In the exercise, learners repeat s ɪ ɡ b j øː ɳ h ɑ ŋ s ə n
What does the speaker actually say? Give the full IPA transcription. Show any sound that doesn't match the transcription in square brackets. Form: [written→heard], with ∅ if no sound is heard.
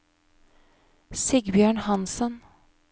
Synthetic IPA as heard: s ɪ ɡ b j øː ɳ h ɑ [ŋ→n] s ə n